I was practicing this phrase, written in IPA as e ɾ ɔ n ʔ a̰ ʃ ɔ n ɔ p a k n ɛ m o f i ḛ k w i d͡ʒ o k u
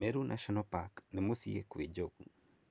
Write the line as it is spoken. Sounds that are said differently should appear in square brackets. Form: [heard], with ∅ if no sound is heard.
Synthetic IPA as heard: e ɾ [u] n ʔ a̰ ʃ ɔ n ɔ p a k n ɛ m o [s] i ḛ k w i d͡ʒ o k u